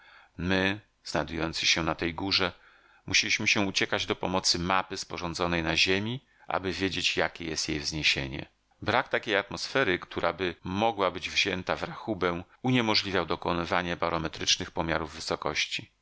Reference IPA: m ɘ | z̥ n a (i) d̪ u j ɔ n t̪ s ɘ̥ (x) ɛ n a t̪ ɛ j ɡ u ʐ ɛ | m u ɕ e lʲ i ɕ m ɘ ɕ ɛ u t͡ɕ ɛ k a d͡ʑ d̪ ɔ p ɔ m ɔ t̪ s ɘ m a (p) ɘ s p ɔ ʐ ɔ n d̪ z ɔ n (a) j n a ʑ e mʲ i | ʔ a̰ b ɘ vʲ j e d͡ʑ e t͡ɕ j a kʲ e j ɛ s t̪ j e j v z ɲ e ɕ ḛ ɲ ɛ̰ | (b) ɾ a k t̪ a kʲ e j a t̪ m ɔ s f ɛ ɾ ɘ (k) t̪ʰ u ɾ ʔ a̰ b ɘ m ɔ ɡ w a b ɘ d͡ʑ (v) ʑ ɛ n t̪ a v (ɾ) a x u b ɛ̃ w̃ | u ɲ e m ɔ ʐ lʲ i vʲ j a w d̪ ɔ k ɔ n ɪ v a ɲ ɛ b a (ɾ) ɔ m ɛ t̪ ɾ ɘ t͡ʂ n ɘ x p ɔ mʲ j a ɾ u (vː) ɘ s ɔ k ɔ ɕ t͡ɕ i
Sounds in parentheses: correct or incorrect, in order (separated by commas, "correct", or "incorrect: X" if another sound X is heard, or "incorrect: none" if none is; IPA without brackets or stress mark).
incorrect: j, incorrect: ɕ, correct, incorrect: ɛ, correct, correct, correct, correct, correct, correct